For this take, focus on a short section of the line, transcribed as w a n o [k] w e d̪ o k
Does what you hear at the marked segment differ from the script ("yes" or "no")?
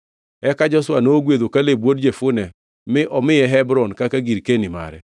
yes